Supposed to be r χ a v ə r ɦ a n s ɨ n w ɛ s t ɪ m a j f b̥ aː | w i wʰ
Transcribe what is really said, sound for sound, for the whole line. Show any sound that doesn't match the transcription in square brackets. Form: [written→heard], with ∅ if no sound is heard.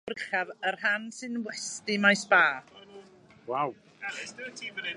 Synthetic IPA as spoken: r χ a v ə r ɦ a n s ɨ n w ɛ s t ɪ m a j [f→s] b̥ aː | w [i→a] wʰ